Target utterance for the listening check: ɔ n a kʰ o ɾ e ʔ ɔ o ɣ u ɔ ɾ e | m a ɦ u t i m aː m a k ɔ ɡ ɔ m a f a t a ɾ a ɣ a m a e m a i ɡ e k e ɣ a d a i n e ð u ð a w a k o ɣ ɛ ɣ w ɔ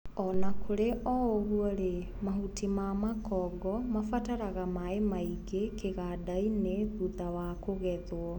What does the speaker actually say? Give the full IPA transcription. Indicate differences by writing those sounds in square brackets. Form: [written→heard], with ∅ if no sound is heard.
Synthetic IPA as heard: ɔ n a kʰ o ɾ e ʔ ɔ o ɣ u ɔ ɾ e | m a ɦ u t i m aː m a k ɔ ɡ ɔ m a f a t a ɾ a ɣ a m a e m a i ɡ e k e ɣ a d a i n e ð u ð a w a k o ɣ ɛ [ɣ→ð] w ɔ

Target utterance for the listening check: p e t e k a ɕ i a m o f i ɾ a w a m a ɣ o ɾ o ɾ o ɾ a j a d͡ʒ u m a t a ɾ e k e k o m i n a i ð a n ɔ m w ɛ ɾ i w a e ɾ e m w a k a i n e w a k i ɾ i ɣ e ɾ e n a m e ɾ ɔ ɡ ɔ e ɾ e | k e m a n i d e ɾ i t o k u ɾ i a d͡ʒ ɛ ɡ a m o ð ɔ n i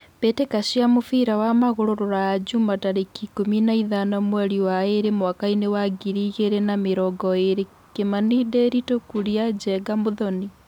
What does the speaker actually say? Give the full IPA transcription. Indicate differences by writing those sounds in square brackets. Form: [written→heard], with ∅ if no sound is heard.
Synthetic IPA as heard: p e t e k a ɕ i a m o f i ɾ a w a m a ɣ o ɾ o ɾ o ɾ a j a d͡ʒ u m a t a ɾ e k [e→i] k o m i n a i ð a n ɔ m w ɛ ɾ i w a e ɾ e m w a k a i n e w a [k→ɡ] i ɾ i ɣ e ɾ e n a m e ɾ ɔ ɡ ɔ e ɾ e | k e m a n i d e ɾ i t o k u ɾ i a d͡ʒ ɛ ɡ a m o ð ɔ n i

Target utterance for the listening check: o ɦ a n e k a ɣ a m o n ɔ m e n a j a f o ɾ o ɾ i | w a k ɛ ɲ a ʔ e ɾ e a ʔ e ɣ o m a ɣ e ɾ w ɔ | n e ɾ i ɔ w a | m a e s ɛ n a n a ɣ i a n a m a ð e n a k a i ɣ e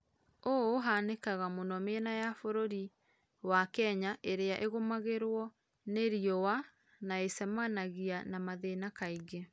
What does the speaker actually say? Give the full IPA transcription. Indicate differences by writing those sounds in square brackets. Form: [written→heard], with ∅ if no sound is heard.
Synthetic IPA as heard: o ɦ a n e k a ɣ a m o n ɔ m e n a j a f o ɾ o ɾ i | w a k ɛ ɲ a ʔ e ɾ e a ʔ e ɣ o m a ɣ e ɾ w ɔ | n e ɾ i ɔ w a | [m→n] a e s ɛ [n→m] a n a ɣ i a n a m a ð e n a k a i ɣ e

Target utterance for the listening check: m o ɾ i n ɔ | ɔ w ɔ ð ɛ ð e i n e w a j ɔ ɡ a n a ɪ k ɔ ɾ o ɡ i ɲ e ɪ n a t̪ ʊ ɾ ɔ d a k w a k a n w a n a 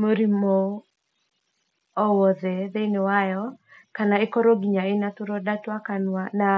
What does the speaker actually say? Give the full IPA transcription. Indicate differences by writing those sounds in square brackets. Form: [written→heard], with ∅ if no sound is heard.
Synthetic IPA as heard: m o ɾ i [n→m] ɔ | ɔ w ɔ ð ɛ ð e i n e w a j ɔ [ɡ→k] a n a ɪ k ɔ ɾ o ɡ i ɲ [e→a] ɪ n a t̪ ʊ ɾ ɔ d a [k→t] w a k a n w a n a

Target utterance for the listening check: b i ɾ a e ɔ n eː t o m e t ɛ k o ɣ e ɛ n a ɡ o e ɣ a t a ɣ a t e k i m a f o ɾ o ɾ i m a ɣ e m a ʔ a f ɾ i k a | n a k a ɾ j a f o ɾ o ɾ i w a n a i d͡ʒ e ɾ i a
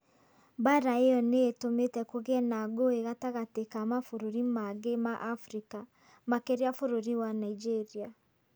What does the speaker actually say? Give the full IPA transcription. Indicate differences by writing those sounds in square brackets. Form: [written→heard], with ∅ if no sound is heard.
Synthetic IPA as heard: b [i→a] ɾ a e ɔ n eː t o m e t ɛ k o ɣ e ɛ n a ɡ o e ɣ a t a ɣ a t e k [i→a] m a f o ɾ o ɾ i m a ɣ e m a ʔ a f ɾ i k a | [n→m] a k [a→e] ɾ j a f o ɾ o ɾ i w a n a i d͡ʒ e ɾ i a

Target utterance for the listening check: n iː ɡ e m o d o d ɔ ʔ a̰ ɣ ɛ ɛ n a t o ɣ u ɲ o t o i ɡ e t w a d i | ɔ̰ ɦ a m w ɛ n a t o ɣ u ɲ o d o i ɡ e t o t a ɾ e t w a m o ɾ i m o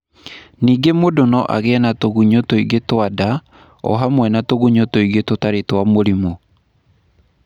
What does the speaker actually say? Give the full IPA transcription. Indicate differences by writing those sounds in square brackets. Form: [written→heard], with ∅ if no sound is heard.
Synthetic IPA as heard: n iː ɡ e m o d o [d→n] ɔ ʔ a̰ ɣ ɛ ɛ n a t o ɣ u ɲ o t o i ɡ e t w a d [i→a] | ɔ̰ ɦ a m w ɛ n a t o ɣ u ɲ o [d→t] o i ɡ e t o t a ɾ e t w a m o ɾ i m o

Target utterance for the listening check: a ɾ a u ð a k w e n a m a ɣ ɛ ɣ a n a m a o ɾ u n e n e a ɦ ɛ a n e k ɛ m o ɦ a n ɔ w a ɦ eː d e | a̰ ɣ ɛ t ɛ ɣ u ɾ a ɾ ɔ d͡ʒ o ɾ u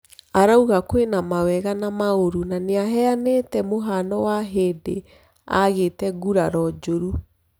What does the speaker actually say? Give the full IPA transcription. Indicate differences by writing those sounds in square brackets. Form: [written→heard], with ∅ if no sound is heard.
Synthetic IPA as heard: a ɾ a u [ð→ɣ] a k w e n a m a [ɣ→w] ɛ ɣ a n a m a o ɾ u n [e→a] n e a ɦ ɛ a n e [k→t] ɛ m o ɦ a n ɔ w a ɦ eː d e | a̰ ɣ [ɛ→e] t ɛ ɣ u ɾ a ɾ ɔ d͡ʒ o ɾ u

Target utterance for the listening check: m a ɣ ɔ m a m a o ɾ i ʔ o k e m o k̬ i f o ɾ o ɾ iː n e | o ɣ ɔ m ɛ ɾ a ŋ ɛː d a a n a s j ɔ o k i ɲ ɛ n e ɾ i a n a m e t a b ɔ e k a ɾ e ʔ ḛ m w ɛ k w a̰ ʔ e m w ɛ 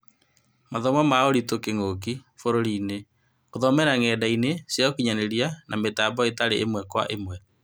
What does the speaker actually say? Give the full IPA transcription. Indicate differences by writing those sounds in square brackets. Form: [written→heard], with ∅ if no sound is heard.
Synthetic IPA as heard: m a [ɣ→ð] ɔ m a m a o ɾ i [ʔ→t] o k e [m→ŋ] o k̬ i f o ɾ o ɾ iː n e | o [ɣ→ð] ɔ m ɛ ɾ a ŋ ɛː d a [a→i] n [a→e] s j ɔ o k i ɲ [ɛ→a] n e ɾ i a n a m e t a b ɔ e [k→t] a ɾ e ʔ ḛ m w ɛ k w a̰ ʔ e m w ɛ

